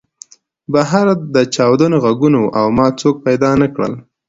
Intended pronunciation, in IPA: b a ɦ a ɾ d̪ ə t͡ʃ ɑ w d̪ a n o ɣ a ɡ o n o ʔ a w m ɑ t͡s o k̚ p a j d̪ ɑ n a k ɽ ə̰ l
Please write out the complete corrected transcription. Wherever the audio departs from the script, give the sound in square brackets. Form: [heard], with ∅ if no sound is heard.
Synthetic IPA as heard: b a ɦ a ɾ d̪ ə t͡ʃ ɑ w d̪ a n o ɣ a ɡ [u] n o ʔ a w m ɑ t͡s o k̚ p a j d̪ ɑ n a k ɽ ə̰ l